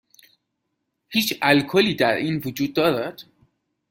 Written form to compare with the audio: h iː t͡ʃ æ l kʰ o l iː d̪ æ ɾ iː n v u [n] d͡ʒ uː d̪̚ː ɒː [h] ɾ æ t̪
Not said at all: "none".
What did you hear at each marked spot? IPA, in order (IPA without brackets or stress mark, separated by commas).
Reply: none, none